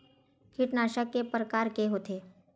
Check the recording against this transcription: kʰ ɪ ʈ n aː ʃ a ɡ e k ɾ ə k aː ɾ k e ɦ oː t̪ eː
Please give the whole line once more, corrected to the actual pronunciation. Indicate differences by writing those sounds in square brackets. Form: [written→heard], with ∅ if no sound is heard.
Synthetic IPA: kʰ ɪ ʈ n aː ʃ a [ɡ→k] e [k→p] ɾ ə k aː ɾ k e ɦ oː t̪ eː